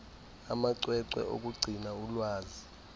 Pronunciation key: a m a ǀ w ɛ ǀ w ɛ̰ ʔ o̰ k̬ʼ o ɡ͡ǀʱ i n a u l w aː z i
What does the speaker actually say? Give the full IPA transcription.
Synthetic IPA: a m a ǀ w ɛ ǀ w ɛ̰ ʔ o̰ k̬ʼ u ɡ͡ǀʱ i n a u l w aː z i

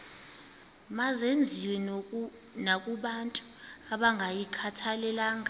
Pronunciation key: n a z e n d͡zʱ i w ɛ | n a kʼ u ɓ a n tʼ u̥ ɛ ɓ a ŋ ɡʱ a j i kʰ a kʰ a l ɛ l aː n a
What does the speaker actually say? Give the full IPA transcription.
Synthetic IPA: m a z e n d͡zʱ i w ɛ | n a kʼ u ɓ a n tʼ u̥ a ɓ a ŋ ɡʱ a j i kʰ a tʰ a l ɛ l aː ŋ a

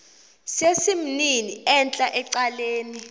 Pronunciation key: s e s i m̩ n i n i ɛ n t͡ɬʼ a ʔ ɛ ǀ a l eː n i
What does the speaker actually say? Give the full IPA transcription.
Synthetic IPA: s e s i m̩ n i n i ɛ n t͡ɬʼ a ʔ ɛ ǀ a l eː n i

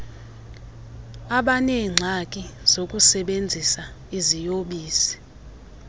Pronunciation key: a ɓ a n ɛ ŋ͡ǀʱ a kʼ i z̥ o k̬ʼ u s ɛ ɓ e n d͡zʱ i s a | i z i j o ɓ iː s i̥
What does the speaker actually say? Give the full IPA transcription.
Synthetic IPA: a ɓ a n ɛ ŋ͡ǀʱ a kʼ i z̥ o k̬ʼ u s ɛ ɓ e n d͡zʱ i s a | i z i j o ɓ iː s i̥

